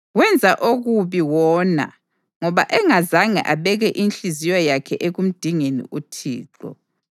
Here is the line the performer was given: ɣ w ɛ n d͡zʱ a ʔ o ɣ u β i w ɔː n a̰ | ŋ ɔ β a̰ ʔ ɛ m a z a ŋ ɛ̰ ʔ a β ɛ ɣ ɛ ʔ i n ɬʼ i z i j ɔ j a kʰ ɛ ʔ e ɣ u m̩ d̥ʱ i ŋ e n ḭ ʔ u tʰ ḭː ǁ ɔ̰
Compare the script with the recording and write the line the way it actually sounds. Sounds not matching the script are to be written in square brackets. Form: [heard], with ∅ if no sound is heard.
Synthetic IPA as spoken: ɣ w ɛ n d͡zʱ a ʔ o ɣ u β i w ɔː n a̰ | ŋ ɔ β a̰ ʔ ɛ [ŋ] a z a ŋ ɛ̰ ʔ a β ɛ ɣ ɛ ʔ i n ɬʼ i z i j ɔ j a kʰ ɛ ʔ e ɣ u m̩ d̥ʱ i ŋ e n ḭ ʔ u tʰ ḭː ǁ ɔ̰

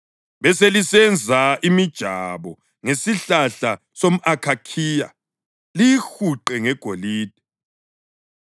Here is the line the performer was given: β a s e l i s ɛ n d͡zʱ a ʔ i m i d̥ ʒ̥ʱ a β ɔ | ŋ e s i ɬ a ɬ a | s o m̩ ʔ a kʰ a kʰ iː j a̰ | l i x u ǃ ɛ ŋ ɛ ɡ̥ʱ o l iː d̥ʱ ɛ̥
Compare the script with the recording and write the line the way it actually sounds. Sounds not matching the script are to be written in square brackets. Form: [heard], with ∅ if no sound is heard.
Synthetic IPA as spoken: β [ɛ] s e l i s ɛ n d͡zʱ a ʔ i m i d̥ ʒ̥ʱ a β ɔ | ŋ e s i ɬ a ɬ a | s o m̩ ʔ a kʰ a kʰ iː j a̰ | l i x u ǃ ɛ ŋ ɛ ɡ̥ʱ o l iː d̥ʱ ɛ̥

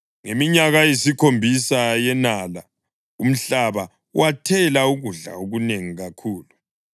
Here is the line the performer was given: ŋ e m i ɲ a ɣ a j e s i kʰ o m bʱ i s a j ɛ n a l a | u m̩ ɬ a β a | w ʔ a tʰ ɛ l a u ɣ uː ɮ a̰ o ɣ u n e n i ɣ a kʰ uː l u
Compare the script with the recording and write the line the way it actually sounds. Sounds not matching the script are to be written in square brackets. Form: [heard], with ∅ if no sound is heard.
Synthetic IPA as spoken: ŋ e m i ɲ a ɣ a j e s i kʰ o m bʱ i s a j ɛ n a l a | u m̩ ɬ a β a | w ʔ a tʰ ɛ l a u ɣ [u] ɮ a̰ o ɣ u n e [ŋ] i ɣ a kʰ uː l u

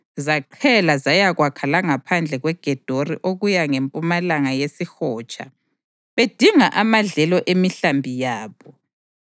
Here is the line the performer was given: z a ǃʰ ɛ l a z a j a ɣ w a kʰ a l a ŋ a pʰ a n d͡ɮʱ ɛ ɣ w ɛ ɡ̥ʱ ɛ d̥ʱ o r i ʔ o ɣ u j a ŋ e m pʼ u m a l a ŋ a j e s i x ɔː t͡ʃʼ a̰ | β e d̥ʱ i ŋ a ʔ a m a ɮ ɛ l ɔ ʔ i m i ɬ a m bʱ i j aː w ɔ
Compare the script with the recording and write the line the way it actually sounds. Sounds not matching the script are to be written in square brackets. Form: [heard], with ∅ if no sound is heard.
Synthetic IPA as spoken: z a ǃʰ ɛ l a z a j a ɣ w a kʰ a l a ŋ a pʰ a n d͡ɮʱ ɛ ɣ w ɛ ɡ̥ʱ ɛ d̥ʱ o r i ʔ o ɣ u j a ŋ e m pʼ u m a l a ŋ a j e s i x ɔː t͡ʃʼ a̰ | β e d̥ʱ i ŋ a ʔ a m a ɮ ɛ l ɔ ʔ [e] m i ɬ a m bʱ i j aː [β] ɔ

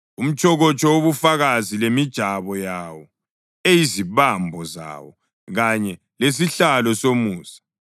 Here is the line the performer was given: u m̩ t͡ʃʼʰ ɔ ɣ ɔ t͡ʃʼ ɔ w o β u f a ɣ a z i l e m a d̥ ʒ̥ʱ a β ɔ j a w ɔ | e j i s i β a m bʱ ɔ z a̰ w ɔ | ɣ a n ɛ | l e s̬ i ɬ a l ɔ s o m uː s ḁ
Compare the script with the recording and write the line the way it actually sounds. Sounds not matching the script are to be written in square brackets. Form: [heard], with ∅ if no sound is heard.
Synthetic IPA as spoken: u m̩ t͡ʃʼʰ ɔ ɣ ɔ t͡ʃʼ ɔ w o β u f a ɣ a z i l e m [i] d̥ ʒ̥ʱ a β ɔ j a w ɔ | e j i [z] i β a m bʱ ɔ z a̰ w ɔ | ɣ a [ɲ] ɛ | l e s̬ i ɬ a l ɔ s o m uː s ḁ

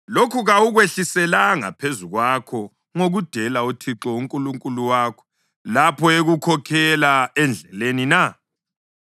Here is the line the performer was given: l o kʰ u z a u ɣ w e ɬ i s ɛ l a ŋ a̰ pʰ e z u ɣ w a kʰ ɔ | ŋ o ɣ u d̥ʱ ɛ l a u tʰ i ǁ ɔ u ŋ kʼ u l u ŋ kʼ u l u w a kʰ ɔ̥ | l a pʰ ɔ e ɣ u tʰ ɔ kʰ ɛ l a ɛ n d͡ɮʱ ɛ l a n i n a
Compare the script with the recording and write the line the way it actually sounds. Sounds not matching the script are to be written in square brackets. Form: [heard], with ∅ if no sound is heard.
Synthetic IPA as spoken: l o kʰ u [ɣ] a u ɣ w e ɬ i s ɛ l a ŋ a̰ pʰ e z u ɣ w a kʰ ɔ | ŋ o ɣ u d̥ʱ ɛ l a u tʰ i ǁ ɔ u ŋ kʼ u l u ŋ kʼ u l u w a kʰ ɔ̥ | l a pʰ ɔ e ɣ u [kʰ] ɔ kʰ ɛ l a ɛ n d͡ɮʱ ɛ l [e] n i n a

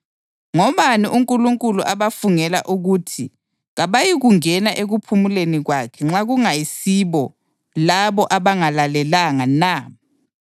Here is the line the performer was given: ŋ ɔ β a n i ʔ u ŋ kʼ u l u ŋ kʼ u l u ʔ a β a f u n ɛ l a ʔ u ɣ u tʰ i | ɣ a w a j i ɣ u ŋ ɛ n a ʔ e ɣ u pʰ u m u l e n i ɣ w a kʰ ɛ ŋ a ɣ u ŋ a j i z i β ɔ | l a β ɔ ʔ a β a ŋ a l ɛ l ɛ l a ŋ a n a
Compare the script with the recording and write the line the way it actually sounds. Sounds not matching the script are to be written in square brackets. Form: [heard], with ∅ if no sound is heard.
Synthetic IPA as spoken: ŋ ɔ β a n i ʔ u ŋ kʼ u l u ŋ kʼ u l u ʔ a β a f u [ŋ] ɛ l a ʔ u ɣ u tʰ i | ɣ a [β] a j i ɣ u ŋ ɛ n a ʔ e ɣ u pʰ u m u l e n i ɣ w a kʰ ɛ [ŋ͡ǁ] a ɣ u ŋ a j i [s] i β ɔ | l a β ɔ ʔ a β a ŋ a l [a] l ɛ l a ŋ a n a

